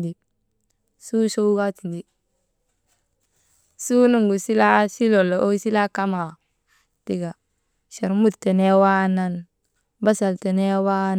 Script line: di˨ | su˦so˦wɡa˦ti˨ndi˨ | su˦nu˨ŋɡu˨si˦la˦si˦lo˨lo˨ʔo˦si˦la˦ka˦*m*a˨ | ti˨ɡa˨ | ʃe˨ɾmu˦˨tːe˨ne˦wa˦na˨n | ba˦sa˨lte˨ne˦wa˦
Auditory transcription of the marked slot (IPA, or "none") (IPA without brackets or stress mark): m